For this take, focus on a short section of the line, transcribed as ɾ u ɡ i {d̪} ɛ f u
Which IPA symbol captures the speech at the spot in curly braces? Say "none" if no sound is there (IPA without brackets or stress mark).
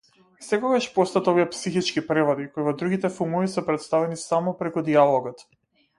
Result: t̪